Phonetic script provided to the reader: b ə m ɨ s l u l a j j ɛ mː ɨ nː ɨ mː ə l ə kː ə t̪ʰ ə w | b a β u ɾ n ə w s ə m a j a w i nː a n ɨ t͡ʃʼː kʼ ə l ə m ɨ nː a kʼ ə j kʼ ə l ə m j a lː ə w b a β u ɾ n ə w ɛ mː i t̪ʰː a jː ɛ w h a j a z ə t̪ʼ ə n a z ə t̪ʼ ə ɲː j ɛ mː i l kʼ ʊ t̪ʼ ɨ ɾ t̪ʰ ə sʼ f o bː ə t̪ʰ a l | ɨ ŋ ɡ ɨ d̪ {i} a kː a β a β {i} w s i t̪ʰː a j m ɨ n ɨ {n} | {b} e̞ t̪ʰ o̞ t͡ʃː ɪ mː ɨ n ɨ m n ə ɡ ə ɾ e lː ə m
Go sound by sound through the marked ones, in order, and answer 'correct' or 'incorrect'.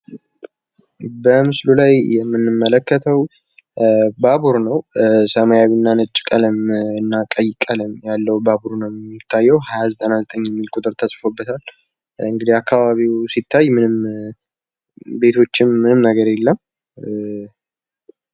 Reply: correct, correct, incorrect: m, correct

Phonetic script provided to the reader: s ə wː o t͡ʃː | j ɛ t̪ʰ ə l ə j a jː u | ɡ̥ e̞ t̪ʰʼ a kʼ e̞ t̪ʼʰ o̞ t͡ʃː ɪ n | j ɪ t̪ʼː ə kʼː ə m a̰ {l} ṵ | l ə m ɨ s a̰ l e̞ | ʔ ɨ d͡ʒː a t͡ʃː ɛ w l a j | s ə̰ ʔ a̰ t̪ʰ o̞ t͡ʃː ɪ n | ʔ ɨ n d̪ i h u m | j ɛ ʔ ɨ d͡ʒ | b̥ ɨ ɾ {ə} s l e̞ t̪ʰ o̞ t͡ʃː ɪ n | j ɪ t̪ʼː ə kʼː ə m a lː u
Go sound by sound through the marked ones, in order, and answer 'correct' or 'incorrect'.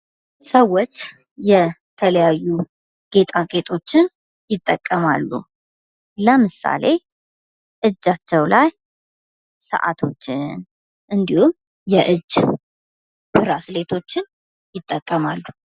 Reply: incorrect: lː, incorrect: a

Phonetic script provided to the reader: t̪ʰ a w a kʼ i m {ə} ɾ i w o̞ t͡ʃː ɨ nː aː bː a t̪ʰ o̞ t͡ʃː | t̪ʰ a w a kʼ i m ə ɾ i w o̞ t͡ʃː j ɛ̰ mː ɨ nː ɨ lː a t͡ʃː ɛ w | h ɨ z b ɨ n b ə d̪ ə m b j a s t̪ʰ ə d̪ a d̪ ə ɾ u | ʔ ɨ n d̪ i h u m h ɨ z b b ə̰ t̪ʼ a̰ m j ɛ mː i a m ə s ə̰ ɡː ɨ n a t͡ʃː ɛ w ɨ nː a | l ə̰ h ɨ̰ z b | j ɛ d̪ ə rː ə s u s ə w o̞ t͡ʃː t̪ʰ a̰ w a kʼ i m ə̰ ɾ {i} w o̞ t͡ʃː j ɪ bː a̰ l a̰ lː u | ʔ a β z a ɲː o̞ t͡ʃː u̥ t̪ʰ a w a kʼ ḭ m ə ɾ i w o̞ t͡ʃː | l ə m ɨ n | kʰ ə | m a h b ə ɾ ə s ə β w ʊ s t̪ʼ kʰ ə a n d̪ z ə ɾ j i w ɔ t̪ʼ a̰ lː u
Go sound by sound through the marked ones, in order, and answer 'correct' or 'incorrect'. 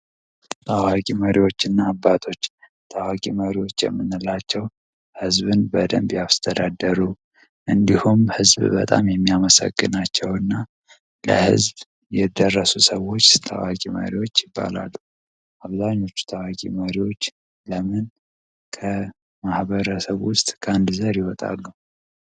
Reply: correct, correct

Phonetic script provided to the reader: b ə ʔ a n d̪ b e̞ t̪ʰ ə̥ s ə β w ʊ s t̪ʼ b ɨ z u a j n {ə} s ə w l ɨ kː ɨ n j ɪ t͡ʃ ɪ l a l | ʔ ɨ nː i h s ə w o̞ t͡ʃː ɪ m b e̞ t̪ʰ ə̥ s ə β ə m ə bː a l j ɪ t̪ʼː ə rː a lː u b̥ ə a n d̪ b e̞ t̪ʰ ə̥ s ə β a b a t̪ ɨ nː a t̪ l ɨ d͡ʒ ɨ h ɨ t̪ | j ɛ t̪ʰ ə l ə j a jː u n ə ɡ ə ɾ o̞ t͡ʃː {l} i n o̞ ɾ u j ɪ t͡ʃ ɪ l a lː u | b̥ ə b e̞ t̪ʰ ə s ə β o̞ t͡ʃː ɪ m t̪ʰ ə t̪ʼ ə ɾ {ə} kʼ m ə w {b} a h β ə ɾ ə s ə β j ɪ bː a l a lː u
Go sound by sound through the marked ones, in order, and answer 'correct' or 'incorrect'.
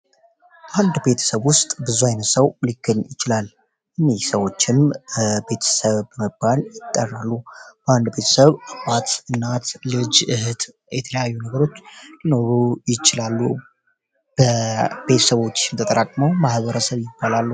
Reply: correct, correct, incorrect: a, incorrect: m

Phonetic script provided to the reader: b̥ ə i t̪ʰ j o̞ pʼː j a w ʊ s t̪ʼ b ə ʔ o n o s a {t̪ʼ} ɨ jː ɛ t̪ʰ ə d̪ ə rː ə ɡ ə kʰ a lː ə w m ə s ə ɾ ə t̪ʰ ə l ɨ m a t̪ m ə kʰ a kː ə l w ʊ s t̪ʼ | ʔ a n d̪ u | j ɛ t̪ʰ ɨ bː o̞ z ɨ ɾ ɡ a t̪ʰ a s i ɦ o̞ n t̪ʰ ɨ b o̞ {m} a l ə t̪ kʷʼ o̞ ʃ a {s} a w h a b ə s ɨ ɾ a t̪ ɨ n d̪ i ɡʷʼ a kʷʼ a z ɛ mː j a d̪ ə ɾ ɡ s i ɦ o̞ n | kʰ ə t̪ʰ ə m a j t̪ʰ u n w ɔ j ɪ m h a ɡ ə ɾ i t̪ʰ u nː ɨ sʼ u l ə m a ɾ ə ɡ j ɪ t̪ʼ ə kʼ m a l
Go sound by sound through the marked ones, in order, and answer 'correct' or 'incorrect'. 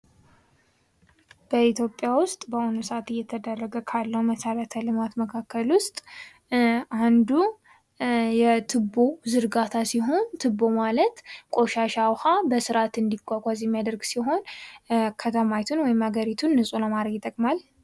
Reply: incorrect: t̪, correct, incorrect: ʃ

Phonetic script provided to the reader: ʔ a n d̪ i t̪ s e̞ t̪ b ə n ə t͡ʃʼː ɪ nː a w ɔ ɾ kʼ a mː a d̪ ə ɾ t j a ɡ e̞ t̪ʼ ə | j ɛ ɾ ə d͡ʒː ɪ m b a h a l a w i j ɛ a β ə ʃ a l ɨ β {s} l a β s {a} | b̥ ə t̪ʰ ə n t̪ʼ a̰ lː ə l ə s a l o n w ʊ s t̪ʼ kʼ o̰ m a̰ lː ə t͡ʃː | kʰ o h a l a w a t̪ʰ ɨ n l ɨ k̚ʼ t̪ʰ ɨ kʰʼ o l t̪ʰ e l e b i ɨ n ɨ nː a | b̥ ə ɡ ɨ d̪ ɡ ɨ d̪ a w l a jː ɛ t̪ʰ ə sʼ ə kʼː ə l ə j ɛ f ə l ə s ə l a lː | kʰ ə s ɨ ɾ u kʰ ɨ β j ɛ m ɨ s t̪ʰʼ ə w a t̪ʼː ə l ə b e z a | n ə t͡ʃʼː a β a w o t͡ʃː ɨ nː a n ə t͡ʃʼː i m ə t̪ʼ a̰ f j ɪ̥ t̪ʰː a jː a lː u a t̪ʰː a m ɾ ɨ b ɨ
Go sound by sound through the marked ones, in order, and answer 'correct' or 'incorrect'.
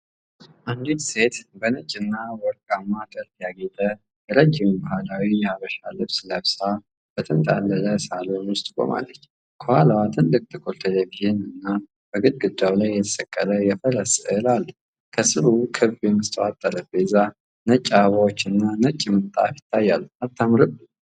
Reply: correct, correct

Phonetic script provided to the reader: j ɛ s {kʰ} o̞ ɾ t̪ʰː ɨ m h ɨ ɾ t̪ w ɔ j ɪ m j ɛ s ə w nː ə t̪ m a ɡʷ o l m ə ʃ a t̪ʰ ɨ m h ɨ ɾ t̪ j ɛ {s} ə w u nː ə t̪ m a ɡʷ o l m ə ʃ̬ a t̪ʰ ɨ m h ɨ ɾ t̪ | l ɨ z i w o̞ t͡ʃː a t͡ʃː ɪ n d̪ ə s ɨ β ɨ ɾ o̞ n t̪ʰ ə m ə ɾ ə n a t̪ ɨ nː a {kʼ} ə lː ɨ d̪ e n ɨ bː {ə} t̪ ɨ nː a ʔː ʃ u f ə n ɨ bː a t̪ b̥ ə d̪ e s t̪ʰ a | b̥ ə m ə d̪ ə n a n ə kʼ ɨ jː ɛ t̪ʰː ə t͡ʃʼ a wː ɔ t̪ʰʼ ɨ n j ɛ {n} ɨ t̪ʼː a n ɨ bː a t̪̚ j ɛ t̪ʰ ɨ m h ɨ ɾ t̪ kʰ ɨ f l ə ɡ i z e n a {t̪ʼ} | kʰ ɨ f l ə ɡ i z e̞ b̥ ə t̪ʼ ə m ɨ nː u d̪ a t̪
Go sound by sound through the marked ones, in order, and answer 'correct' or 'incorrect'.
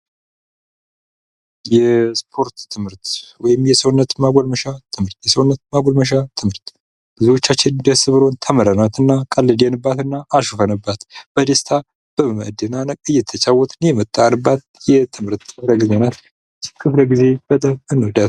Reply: incorrect: pʰ, correct, correct, incorrect: a, incorrect: m, incorrect: t̪

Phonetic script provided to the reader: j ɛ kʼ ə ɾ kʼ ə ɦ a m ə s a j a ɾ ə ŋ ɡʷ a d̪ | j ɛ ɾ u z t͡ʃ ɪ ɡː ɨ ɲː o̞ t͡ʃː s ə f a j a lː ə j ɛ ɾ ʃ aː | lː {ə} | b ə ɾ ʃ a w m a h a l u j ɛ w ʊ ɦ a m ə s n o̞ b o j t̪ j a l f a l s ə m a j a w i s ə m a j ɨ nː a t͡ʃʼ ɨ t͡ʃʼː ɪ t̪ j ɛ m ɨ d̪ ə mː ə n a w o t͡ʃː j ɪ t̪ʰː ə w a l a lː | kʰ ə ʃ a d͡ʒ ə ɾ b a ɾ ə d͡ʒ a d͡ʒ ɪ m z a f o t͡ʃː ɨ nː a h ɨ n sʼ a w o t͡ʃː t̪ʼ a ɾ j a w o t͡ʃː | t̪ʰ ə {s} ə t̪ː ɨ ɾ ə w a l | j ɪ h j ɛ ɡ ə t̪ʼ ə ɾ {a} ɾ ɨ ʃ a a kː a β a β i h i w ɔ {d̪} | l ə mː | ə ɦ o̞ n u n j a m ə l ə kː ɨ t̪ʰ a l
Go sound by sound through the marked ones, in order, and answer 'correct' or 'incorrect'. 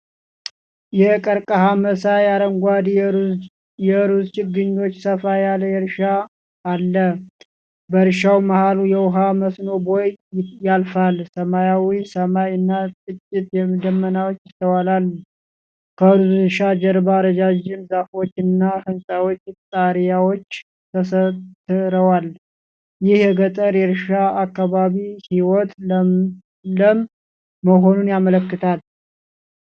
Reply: correct, correct, incorrect: ɛ, incorrect: t̪

